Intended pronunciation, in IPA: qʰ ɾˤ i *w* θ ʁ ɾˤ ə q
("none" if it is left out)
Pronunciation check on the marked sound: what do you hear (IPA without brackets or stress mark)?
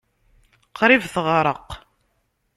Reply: v